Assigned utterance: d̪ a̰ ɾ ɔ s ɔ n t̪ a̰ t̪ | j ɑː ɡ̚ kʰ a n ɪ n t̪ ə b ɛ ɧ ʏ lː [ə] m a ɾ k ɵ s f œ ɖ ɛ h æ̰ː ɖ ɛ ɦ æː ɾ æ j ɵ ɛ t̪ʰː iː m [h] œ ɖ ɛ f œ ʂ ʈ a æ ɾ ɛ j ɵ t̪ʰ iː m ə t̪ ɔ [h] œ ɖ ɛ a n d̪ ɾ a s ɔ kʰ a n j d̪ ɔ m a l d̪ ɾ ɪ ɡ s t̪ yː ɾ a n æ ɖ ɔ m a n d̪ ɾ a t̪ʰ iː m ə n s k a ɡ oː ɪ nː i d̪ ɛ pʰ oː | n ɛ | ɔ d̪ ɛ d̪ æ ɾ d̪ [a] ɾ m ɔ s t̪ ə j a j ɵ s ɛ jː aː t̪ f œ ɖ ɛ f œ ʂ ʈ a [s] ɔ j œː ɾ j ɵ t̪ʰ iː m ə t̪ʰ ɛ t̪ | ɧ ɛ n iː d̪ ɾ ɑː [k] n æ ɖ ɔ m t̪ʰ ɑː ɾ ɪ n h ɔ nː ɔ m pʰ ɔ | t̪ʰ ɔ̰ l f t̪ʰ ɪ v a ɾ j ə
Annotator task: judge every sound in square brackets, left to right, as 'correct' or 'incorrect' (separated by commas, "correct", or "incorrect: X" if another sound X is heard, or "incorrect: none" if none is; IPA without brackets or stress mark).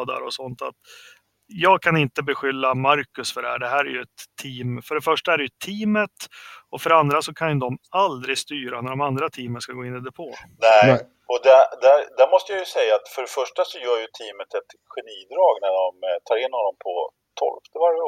incorrect: a, incorrect: f, incorrect: f, incorrect: æ, correct, incorrect: ɡ